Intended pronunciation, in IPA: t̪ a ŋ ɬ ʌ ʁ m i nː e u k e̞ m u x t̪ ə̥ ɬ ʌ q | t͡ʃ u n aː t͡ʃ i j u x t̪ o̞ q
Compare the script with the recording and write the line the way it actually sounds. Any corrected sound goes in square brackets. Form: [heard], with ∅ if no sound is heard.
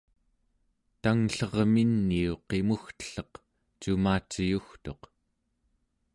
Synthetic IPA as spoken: t̪ a ŋ ɬ ʌ ʁ m i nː [i] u [q] e̞ m u x t̪ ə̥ ɬ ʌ q | t͡ʃ u [m] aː t͡ʃ i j u x t̪ o̞ q

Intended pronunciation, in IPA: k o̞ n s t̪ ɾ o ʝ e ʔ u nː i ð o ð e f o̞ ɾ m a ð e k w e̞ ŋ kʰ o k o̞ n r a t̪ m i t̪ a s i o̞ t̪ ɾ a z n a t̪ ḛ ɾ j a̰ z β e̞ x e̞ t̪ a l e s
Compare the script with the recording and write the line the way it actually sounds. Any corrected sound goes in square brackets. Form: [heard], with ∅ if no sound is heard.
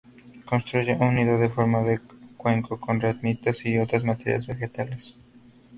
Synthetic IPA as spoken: k o̞ n s t̪ ɾ [u] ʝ e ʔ u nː i ð o ð e f o̞ ɾ m a ð e k w e̞ ŋ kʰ o k o̞ n r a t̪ m i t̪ a s i o̞ t̪ ɾ a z [m] a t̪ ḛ ɾ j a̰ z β e̞ x e̞ t̪ a l e s

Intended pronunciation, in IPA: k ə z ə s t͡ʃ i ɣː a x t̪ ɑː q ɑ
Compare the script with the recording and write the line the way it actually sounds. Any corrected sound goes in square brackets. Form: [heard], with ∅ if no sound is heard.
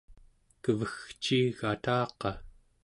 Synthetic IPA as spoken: k ə [v] ə [x] t͡ʃ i [ɣ] a [∅] t̪ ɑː q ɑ

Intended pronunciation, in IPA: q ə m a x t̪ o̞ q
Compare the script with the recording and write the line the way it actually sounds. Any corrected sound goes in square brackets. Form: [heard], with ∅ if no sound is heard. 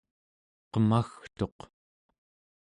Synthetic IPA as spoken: q ə m a x t̪ o̞ q

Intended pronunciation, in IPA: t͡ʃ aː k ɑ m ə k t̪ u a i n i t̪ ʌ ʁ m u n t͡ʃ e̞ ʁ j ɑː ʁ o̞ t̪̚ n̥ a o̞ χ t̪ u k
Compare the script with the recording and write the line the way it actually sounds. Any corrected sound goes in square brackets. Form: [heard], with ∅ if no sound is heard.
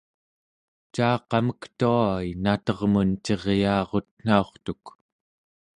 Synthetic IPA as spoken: t͡ʃ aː [q] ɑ m ə k t̪ u a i n [a] t̪ ʌ ʁ m u n t͡ʃ e̞ ʁ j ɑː ʁ o̞ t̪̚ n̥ a o̞ χ t̪ u k

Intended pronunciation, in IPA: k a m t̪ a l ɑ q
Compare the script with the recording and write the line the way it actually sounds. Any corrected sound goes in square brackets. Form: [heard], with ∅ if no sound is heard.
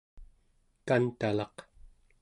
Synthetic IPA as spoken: k a [n] t̪ a l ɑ q

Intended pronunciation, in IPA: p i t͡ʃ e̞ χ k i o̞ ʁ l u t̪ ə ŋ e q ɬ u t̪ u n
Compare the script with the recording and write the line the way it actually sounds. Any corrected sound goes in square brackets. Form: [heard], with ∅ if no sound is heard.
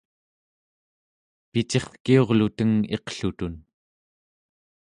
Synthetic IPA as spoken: p i t͡ʃ e̞ χ k i o̞ ʁ l u t̪ ə ŋ e q ɬ u t̪ u n

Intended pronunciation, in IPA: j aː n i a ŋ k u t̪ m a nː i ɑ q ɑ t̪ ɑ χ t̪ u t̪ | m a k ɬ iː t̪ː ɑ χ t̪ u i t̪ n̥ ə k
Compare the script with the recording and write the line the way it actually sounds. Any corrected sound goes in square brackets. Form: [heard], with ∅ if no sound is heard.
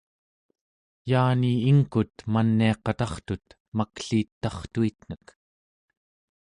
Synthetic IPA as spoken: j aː n i [i] ŋ k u t̪ m a nː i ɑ q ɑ t̪ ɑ χ t̪ u t̪ | m a k ɬ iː t̪ː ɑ χ t̪ u i t̪ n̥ ə k

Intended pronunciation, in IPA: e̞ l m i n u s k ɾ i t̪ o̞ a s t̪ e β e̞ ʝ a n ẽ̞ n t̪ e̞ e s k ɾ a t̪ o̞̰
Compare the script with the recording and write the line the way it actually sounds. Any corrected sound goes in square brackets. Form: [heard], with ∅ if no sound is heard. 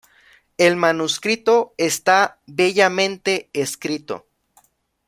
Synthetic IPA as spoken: e̞ l m [a] n u s k ɾ i t̪ o̞ [e] s t̪ [a] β e̞ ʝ a [m] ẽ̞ n t̪ e̞ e s k ɾ [i] t̪ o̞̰

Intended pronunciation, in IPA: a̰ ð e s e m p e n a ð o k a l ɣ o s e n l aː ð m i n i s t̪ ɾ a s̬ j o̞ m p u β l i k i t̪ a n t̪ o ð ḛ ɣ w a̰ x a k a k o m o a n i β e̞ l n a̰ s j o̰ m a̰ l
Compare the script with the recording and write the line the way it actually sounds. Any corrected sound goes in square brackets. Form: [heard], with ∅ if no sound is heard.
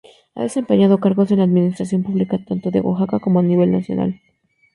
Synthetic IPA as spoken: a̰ ð e s e m p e [ɲ] a ð o k a [ɾ] ɣ o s e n l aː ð m i n i s t̪ ɾ a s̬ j o̞ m p u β l i k [a] t̪ a n t̪ o ð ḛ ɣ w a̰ x a k a k o m o a n i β e̞ l n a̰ s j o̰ [n] a̰ l

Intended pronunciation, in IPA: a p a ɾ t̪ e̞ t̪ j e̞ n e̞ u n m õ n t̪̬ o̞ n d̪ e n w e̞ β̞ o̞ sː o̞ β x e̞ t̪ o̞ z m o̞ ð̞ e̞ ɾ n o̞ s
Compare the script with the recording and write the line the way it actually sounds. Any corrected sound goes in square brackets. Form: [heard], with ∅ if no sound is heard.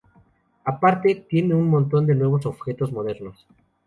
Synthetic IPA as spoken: a p a ɾ t̪ e̞ t̪ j e̞ n e̞ u n m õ n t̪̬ o̞ n d̪ e n w e̞ β̞ o̞ [s] o̞ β x e̞ t̪ o̞ z m o̞ ð̞ e̞ ɾ n o̞ s

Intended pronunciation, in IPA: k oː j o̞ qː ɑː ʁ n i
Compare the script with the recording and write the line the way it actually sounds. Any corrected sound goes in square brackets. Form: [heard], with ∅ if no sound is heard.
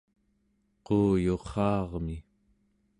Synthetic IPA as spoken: [q] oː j o̞ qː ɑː ʁ [m] i

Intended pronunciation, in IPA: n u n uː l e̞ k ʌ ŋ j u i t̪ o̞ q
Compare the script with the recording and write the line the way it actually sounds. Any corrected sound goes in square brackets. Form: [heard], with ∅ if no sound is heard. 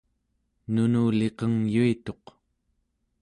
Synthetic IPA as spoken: n u n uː l e̞ [q] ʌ ŋ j u i t̪ o̞ q

